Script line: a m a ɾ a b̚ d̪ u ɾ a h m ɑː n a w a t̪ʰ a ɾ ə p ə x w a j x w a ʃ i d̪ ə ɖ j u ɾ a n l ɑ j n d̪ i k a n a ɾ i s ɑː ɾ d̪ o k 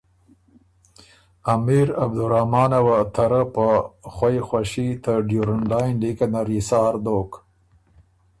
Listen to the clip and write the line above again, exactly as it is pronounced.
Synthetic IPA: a m i ɾ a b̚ d̪ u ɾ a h m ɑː n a w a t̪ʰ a ɾ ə p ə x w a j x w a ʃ i t̪ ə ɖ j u ɾ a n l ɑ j n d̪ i k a n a ɾ i s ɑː ɾ d̪ o k